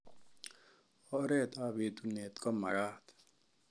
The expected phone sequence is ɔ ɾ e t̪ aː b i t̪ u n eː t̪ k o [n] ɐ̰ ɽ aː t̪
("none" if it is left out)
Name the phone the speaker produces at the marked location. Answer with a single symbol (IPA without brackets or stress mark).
m